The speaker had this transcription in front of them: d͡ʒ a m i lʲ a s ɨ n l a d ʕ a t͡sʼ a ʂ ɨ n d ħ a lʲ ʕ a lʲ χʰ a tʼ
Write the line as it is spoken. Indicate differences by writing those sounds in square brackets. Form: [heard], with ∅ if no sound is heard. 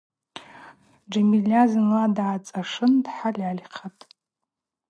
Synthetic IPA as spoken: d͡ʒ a m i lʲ a [z] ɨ n l a d ʕ a t͡sʼ a ʂ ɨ n d ħ a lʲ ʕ a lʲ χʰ a tʼ